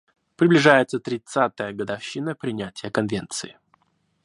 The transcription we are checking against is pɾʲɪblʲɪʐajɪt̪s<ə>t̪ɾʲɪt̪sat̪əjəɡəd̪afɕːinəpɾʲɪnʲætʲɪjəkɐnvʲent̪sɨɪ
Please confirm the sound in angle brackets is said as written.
yes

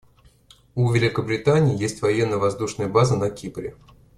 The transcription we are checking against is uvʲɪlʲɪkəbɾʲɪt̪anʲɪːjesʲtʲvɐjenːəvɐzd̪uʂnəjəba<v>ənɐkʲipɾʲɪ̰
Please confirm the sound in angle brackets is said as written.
no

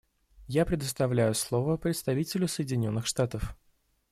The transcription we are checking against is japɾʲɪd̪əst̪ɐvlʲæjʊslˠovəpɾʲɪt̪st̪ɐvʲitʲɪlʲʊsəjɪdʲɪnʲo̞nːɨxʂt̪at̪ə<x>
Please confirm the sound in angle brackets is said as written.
no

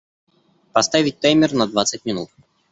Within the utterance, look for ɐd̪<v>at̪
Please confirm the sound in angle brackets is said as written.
yes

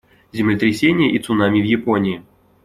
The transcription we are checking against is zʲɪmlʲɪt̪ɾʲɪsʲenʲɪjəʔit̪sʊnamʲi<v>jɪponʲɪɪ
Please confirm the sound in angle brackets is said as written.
yes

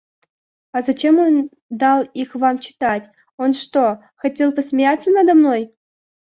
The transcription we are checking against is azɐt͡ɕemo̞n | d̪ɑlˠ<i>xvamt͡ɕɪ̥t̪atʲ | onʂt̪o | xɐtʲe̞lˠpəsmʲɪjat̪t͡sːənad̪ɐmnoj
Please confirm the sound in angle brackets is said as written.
yes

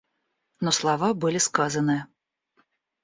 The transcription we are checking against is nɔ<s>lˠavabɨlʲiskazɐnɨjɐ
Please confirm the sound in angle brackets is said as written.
yes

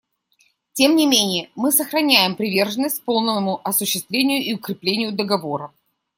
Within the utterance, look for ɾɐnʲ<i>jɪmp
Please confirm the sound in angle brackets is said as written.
no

